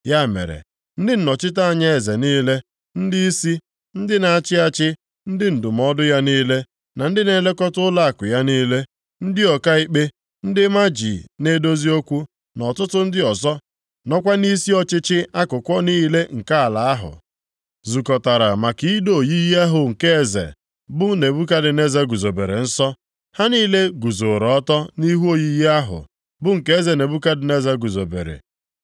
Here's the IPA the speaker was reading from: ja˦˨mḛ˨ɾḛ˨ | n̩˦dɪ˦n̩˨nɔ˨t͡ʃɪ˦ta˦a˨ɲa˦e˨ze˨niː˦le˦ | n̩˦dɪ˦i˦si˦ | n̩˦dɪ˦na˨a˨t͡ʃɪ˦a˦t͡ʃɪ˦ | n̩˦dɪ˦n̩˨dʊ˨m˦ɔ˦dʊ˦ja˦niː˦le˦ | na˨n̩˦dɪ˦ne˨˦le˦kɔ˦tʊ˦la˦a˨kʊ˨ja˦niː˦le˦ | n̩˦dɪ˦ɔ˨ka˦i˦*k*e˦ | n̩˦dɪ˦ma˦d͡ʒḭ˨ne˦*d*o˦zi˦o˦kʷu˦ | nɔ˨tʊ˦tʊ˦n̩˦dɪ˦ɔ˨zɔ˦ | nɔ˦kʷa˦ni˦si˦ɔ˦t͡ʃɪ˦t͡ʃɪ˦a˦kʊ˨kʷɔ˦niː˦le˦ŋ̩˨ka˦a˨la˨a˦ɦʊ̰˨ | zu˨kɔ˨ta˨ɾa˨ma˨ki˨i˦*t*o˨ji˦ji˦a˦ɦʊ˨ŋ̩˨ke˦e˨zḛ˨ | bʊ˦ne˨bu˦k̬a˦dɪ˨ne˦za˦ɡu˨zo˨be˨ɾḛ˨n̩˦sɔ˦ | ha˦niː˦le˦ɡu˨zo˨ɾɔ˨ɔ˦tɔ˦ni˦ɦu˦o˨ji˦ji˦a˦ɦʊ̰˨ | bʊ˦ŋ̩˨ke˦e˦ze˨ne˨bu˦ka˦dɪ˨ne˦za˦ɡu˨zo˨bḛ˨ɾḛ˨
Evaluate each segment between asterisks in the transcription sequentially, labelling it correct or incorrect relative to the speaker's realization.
incorrect: k͡p, correct, incorrect: d

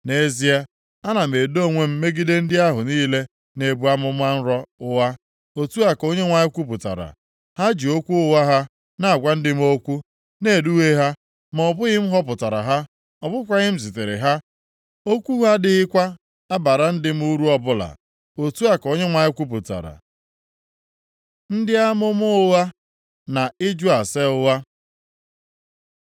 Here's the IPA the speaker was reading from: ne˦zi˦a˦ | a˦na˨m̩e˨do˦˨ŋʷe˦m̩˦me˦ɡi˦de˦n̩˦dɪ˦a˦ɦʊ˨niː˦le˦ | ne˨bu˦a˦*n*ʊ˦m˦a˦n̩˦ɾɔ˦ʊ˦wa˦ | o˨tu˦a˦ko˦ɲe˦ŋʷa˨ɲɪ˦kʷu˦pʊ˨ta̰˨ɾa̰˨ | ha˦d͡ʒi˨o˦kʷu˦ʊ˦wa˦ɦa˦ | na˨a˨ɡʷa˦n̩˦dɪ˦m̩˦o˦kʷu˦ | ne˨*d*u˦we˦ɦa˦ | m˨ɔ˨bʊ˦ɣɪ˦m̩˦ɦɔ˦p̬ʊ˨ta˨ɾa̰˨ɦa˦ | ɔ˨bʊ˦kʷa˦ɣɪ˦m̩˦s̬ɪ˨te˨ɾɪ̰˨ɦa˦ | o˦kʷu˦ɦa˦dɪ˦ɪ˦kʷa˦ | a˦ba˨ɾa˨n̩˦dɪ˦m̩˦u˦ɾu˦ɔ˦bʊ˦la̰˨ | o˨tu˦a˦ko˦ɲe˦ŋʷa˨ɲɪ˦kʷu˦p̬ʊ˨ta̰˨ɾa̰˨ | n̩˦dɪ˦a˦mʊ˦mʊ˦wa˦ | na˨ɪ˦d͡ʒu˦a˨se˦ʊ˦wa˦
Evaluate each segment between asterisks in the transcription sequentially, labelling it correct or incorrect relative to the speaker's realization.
incorrect: m, correct

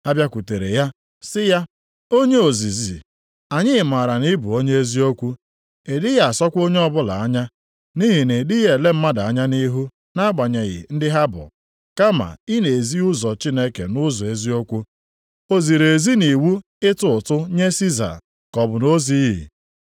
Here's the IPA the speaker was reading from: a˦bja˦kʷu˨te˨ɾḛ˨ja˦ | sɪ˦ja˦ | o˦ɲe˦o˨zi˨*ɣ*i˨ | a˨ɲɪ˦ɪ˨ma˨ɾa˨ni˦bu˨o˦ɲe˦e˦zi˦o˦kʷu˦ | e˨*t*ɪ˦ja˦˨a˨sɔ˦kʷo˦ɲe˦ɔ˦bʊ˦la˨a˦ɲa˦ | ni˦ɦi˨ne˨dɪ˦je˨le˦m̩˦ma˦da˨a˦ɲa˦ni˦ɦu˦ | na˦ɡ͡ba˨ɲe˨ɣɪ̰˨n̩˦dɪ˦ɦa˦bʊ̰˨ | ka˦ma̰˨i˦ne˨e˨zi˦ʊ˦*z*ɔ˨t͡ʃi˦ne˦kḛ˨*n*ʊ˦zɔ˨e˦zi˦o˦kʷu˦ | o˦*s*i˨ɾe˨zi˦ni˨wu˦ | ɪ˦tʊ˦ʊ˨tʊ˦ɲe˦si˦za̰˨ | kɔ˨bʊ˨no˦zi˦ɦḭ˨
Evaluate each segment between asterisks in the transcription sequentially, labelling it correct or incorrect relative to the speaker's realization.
incorrect: z, incorrect: d, correct, correct, incorrect: z

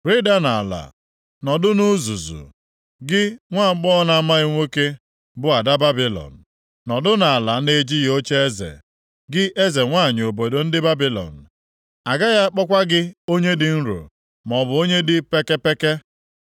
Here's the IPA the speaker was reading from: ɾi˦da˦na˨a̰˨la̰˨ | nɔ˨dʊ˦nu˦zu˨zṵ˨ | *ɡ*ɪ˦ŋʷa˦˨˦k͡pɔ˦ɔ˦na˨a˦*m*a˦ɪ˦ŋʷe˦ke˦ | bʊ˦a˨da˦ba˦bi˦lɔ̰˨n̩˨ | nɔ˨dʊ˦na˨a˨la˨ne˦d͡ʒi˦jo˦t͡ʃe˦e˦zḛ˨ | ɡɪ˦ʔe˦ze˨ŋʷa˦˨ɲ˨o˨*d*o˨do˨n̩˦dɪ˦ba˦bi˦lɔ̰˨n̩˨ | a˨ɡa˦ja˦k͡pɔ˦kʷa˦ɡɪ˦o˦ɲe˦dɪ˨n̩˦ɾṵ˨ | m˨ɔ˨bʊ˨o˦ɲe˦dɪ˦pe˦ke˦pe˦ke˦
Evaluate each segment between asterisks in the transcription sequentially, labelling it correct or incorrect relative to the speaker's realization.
correct, correct, incorrect: b

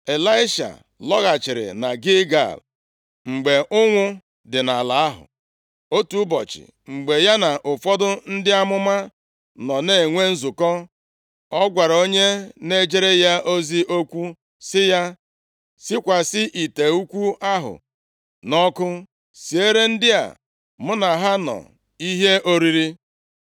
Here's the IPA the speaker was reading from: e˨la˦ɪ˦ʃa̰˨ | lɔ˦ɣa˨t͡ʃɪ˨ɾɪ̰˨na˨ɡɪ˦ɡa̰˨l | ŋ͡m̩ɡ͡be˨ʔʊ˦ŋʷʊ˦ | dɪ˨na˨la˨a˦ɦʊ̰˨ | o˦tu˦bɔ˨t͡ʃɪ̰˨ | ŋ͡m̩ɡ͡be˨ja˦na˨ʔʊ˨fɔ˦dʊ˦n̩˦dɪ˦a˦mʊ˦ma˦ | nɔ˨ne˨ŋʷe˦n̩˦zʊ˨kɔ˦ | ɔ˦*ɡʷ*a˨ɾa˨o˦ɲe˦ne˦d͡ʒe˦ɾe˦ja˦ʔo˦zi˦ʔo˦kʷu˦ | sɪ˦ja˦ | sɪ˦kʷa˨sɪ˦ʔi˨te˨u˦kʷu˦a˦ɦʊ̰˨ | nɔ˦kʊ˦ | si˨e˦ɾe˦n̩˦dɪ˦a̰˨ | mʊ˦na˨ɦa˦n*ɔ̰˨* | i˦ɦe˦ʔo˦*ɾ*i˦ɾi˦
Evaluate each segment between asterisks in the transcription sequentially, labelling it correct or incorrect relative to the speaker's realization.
correct, correct, correct

